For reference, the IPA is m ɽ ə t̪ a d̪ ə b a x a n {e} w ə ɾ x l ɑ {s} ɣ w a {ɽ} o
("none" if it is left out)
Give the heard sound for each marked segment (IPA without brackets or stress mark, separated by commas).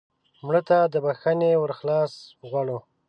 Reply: e, s, ɽ